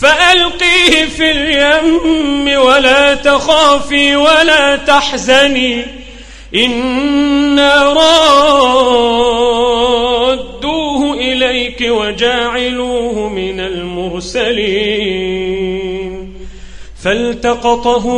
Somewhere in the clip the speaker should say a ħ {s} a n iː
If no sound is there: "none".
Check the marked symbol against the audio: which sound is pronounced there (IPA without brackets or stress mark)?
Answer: z